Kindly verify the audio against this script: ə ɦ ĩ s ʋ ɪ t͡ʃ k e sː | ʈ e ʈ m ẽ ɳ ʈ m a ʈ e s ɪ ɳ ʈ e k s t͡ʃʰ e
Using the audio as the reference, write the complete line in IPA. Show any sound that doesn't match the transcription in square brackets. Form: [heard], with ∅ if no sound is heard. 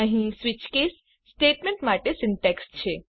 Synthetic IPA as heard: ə ɦ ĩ s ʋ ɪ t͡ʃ k e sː | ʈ e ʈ m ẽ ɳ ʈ m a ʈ e s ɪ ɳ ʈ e k s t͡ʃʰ e